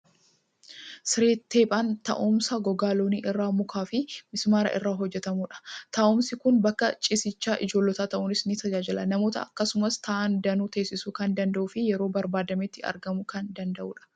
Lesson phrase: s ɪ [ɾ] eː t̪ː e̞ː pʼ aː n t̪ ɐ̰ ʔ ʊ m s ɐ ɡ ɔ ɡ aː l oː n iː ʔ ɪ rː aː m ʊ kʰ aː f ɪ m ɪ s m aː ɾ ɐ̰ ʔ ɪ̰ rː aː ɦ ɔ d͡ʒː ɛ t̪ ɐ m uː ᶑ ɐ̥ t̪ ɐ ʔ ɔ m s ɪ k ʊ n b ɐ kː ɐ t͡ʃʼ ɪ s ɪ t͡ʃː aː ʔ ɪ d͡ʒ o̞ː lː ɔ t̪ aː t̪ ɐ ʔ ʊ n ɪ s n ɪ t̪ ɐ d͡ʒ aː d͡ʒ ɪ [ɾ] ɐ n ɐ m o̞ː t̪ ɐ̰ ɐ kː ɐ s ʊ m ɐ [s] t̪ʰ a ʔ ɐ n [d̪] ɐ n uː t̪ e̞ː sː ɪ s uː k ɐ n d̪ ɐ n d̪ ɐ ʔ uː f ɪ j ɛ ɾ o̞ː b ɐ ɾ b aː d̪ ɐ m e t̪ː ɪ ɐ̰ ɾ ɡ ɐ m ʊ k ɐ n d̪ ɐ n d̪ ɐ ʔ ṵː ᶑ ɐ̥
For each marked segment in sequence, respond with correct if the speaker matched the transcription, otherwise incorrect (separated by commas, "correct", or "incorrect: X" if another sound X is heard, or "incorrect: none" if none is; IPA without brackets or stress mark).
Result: correct, incorrect: l, correct, correct